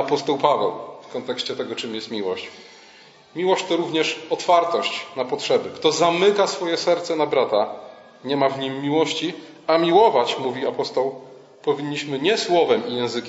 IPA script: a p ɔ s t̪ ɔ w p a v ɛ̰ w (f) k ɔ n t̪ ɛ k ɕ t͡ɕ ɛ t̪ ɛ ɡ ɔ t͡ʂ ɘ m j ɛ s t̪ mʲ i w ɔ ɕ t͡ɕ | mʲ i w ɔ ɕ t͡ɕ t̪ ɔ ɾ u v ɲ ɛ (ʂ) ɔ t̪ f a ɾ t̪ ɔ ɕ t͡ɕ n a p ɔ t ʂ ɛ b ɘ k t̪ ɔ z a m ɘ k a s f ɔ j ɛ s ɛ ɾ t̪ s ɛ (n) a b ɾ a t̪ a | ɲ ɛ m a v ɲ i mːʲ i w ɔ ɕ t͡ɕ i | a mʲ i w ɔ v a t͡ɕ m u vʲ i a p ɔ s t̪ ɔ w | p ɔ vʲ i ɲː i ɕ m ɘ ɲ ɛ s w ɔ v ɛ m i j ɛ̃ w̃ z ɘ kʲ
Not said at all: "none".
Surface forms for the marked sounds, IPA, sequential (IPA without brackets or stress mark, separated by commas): f, ʂ, n